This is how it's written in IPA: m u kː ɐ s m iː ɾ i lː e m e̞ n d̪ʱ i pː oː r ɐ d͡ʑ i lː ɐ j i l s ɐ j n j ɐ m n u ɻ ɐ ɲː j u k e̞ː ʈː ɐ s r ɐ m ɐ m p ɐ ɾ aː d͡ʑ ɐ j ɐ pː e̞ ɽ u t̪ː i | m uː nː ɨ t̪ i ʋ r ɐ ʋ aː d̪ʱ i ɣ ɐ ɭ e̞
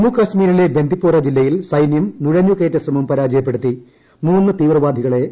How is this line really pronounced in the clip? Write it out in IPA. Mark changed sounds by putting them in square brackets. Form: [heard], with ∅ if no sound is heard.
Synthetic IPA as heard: m u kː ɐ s m iː ɾ i [l] e [b] e̞ n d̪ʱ i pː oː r ɐ d͡ʑ i lː ɐ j i l s ɐ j n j ɐ m n u ɻ ɐ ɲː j u k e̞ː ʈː ɐ s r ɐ m ɐ m p ɐ ɾ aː d͡ʑ ɐ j ɐ pː e̞ ɽ u t̪ː i | m uː nː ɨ t̪ [iː] ʋ r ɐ ʋ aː d̪ʱ i ɣ ɐ ɭ e̞